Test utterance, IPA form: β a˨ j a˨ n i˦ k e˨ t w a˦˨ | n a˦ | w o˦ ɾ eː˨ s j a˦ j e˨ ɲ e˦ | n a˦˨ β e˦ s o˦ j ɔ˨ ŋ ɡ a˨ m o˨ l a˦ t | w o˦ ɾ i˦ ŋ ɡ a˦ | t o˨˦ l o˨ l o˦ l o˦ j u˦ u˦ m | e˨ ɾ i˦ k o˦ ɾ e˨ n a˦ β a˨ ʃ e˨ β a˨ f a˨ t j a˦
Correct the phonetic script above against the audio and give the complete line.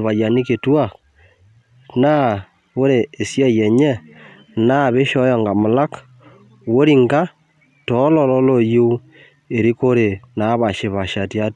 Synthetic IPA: β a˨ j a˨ n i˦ k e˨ t w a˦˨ | n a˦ | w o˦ ɾ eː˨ s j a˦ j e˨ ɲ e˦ | n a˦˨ β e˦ ʃ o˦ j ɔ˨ ŋ ɡ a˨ m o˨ l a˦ k | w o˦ ɾ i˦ ŋ ɡ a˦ | t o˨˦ l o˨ l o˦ l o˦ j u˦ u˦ | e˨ ɾ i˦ k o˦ ɾ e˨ n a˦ β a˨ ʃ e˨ β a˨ ʃ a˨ t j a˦